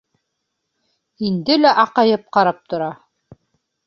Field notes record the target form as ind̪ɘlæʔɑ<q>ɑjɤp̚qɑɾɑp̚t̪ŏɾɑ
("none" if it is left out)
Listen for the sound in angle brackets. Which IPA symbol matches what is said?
q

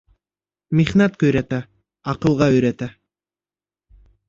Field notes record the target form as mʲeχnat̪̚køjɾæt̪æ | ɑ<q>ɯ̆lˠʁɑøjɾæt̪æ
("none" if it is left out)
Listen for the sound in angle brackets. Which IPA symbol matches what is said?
q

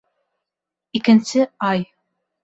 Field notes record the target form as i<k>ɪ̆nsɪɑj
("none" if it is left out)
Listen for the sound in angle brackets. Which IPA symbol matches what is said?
k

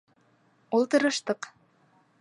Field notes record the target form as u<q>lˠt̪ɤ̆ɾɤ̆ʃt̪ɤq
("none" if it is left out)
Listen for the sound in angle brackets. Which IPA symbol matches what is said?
none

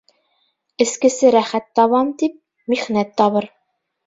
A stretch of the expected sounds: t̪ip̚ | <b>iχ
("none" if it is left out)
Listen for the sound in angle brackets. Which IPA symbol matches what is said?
m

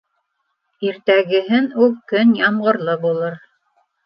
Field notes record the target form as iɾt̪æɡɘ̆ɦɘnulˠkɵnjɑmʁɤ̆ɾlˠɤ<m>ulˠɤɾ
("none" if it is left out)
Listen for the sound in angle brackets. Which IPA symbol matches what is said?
b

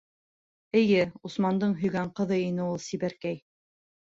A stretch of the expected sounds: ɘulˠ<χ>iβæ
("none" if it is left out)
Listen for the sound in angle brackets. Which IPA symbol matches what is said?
s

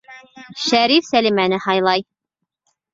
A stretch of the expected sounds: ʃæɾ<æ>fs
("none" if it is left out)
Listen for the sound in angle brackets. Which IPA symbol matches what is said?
i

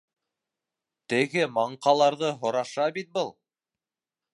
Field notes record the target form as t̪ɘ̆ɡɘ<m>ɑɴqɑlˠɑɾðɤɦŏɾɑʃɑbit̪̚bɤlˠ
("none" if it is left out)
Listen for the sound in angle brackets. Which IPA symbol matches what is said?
m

